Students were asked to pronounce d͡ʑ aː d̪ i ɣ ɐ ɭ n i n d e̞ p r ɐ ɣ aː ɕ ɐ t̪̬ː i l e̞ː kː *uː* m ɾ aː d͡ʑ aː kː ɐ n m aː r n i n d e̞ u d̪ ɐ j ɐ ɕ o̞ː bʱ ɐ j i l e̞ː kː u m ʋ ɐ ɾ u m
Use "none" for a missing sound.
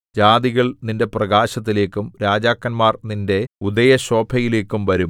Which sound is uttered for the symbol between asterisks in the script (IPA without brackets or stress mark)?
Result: u